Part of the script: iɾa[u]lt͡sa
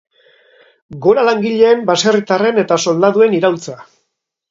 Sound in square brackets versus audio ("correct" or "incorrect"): incorrect